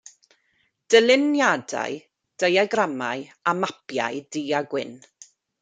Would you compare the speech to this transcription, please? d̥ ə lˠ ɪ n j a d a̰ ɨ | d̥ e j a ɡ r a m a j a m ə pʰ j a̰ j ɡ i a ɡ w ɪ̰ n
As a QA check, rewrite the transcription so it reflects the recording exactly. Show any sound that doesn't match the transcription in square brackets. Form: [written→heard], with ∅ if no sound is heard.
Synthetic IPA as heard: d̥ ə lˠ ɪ n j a d a̰ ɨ | d̥ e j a ɡ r a m a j a m [ə→a] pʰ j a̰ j [ɡ→d] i a ɡ w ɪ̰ n